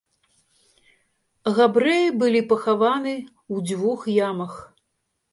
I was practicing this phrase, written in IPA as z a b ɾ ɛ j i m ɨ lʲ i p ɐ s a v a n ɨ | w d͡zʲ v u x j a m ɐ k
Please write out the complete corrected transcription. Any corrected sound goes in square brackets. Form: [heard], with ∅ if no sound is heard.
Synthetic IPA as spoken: [ɣ] a b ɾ ɛ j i [b] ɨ lʲ i p ɐ [x] a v a n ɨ | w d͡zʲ v u x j a m ɐ [x]